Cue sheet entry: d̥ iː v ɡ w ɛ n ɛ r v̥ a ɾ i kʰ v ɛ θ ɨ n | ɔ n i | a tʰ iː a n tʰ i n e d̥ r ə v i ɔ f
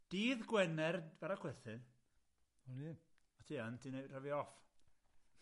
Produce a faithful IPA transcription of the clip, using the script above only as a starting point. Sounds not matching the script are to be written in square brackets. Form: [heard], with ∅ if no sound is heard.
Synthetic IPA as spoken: d̥ iː [ð] ɡ w ɛ n ɛ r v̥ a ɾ [a] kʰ [w] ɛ θ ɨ n | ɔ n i | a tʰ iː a n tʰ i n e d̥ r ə v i ɔ f